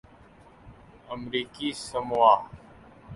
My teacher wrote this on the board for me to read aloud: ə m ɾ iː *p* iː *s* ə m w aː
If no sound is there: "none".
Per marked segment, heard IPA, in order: k, s

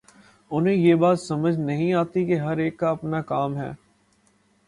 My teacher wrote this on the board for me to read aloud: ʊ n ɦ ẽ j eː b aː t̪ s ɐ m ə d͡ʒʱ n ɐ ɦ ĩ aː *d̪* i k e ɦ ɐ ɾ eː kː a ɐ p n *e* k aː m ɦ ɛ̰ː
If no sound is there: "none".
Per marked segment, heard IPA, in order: t̪, a

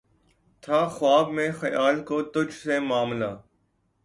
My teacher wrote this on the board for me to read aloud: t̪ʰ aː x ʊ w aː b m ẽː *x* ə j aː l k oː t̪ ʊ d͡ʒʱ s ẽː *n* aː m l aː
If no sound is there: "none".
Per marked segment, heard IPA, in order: x, m

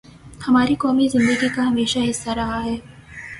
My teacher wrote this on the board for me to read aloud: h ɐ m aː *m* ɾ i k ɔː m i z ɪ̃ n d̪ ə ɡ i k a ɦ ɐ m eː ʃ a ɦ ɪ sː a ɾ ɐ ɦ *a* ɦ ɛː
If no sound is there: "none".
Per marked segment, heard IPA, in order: none, a

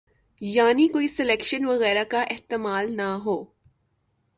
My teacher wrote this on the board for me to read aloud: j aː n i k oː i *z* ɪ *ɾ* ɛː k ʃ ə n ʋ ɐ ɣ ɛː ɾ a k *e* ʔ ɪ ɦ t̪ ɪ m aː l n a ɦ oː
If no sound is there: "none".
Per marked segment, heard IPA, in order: s, l, a

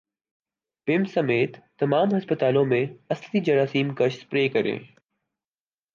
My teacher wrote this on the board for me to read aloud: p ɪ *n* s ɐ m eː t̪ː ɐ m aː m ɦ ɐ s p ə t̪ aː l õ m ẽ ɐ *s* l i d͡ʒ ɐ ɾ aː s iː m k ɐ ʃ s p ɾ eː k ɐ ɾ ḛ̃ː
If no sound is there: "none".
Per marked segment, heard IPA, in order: m, s

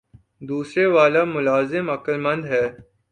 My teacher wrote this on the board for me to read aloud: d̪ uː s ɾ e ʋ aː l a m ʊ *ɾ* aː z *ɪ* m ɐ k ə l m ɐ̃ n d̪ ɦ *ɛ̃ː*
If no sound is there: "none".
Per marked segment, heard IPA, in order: l, ɪ, ɛː

